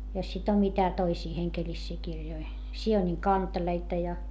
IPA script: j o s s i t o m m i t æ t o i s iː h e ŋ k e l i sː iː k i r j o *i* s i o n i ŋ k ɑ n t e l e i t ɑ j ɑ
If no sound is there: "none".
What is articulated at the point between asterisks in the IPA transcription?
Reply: i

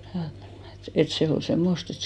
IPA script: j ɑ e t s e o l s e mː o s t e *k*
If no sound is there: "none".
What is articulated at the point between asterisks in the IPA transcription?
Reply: t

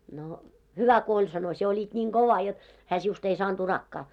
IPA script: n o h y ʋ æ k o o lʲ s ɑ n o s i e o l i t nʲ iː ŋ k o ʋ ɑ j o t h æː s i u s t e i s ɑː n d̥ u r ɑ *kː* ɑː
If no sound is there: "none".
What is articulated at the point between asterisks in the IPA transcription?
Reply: kː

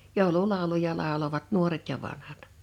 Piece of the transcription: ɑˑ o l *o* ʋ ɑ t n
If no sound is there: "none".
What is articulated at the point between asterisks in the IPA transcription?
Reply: o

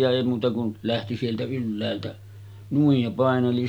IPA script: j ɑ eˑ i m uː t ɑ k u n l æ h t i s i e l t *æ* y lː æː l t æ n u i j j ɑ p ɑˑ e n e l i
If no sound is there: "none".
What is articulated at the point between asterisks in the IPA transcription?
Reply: æ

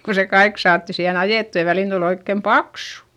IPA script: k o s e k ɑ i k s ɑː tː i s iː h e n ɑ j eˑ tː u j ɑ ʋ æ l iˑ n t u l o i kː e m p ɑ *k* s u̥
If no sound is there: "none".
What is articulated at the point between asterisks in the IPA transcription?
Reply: k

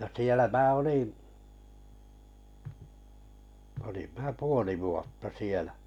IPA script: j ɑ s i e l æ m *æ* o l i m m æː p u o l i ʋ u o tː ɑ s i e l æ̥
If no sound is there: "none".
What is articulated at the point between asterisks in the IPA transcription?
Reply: æː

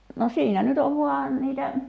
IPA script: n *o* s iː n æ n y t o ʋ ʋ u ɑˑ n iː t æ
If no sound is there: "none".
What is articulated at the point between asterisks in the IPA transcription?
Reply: o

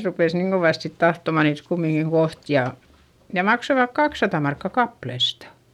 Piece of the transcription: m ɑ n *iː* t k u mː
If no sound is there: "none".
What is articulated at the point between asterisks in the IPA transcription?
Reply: iː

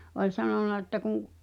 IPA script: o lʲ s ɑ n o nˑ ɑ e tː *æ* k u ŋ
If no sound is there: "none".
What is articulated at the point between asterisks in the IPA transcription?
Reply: æ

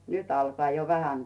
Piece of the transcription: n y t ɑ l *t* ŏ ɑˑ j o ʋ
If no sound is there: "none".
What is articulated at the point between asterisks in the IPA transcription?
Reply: k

